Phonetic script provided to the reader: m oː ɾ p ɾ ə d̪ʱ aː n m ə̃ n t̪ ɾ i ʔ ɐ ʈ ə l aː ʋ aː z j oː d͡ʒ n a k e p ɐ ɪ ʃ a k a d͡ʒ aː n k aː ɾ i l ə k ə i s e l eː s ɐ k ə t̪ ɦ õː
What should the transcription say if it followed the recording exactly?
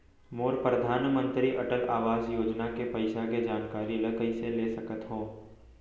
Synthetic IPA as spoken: m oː ɾ p ɾ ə d̪ʱ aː n m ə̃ n t̪ ɾ i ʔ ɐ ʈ ə l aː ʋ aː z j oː d͡ʒ n a k e p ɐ ɪ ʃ a k e d͡ʒ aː n k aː ɾ i l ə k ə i s e l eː s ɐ k ə t̪ ɦ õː